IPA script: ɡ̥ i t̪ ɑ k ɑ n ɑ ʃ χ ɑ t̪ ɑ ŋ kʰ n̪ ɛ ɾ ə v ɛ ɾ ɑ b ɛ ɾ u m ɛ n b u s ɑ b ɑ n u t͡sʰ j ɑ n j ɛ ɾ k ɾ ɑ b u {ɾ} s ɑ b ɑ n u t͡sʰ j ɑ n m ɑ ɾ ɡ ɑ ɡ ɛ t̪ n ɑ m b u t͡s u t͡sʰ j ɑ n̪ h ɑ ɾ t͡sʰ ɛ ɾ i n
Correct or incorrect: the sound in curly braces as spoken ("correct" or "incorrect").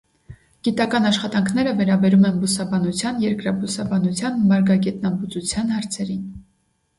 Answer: incorrect